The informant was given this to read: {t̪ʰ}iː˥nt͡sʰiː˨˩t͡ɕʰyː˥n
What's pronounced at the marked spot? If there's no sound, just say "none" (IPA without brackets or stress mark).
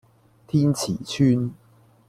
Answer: t̪ʰ